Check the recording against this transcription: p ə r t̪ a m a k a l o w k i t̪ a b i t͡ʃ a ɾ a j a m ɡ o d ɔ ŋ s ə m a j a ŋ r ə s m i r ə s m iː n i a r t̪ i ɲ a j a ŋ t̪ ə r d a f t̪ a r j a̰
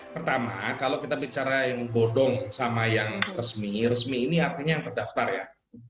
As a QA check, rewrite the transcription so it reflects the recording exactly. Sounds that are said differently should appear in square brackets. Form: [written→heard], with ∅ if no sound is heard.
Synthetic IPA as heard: p ə r t̪ a m a k a l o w k i t̪ a b i t͡ʃ a ɾ a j a [m→ŋ] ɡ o d ɔ ŋ s [ə→a] m a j a ŋ r ə s m i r ə s m iː n i a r t̪ i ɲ a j a ŋ t̪ ə r d a f t̪ a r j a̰